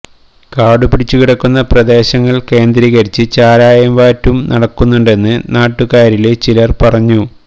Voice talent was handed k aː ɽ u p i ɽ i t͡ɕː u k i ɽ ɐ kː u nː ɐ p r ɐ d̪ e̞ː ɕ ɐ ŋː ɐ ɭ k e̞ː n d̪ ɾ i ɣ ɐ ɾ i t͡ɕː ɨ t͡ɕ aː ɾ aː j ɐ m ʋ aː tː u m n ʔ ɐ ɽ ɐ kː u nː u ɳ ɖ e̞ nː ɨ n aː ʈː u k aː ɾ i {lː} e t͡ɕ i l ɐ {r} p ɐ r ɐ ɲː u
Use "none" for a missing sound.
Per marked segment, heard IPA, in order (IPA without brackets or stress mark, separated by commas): l, r